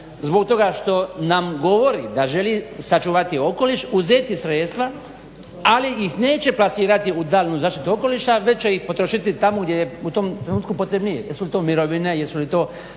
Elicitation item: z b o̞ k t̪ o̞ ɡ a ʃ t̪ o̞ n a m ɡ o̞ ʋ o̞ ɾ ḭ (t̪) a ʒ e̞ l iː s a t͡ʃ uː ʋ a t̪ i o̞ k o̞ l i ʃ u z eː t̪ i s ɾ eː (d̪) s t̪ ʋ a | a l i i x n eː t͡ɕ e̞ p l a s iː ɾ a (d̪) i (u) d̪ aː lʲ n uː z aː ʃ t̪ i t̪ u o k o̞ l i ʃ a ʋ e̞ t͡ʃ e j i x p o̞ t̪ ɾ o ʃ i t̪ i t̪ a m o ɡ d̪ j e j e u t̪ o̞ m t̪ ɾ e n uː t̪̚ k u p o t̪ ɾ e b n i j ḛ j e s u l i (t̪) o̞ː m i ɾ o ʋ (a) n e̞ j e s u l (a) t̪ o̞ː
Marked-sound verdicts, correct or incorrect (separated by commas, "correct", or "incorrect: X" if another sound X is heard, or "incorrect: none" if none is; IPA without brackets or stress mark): incorrect: d̪, incorrect: t̪, incorrect: t̪, correct, correct, incorrect: i, incorrect: i